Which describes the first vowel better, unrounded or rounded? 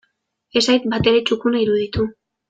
unrounded